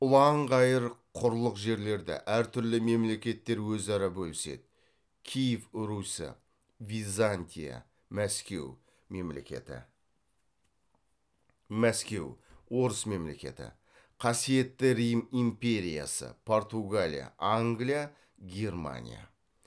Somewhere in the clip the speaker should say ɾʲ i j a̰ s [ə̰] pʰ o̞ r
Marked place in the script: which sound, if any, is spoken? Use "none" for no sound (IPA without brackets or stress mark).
ə̰